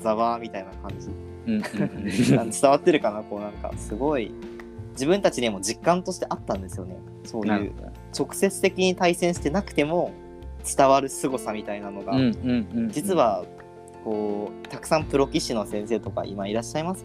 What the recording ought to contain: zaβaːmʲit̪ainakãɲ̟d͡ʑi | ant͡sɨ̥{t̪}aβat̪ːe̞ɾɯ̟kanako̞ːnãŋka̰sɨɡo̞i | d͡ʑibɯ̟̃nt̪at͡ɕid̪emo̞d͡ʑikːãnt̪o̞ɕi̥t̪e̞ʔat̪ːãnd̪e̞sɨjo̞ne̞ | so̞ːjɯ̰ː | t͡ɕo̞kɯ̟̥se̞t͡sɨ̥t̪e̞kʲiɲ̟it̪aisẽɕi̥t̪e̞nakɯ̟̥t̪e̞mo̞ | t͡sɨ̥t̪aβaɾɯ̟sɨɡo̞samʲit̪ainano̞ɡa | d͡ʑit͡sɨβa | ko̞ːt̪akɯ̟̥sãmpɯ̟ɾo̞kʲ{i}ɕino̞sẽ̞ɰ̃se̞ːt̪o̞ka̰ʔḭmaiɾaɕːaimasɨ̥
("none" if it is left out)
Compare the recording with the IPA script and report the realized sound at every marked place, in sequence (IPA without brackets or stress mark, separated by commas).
t̪, i